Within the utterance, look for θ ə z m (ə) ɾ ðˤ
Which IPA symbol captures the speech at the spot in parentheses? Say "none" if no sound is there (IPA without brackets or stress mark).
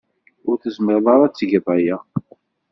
ə